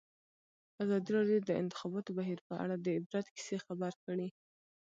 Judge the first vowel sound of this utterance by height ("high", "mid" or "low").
low